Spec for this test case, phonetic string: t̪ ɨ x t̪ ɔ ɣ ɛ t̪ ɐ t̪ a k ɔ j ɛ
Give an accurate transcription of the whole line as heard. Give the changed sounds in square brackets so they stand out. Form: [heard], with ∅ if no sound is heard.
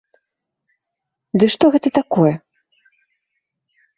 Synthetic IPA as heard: [d̪] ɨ [ʂ] t̪ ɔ ɣ ɛ t̪ ɐ t̪ a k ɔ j ɛ